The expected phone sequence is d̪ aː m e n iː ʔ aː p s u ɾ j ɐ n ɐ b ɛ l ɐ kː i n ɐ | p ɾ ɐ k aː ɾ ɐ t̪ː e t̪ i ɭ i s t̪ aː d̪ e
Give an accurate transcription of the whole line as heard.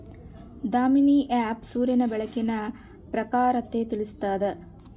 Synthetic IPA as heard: d̪ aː m i n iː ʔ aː p s uː ɾ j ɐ n ɐ b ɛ ɭ ɐ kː i n ɐ | p ɾ ɐ k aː ɾ ɐ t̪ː e t̪ i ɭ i s t̪ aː d̪ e